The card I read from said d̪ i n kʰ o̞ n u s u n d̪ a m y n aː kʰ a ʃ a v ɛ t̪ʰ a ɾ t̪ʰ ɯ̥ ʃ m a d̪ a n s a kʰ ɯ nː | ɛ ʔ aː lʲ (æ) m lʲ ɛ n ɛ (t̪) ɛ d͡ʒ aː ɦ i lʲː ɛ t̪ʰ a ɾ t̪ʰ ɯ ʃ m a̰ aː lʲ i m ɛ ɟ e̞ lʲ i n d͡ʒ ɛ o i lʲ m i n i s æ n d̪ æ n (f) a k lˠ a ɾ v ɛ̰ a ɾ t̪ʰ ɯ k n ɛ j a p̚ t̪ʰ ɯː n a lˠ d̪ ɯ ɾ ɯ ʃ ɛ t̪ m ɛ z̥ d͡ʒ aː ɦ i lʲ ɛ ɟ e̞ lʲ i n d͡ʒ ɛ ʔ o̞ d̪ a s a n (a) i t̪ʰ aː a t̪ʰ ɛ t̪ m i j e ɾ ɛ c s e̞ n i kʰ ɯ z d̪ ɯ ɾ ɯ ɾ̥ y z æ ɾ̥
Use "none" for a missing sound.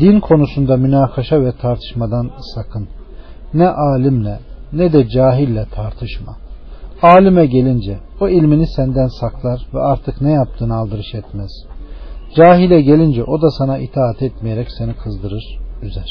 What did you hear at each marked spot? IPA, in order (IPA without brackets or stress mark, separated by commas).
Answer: i, d̪, s, a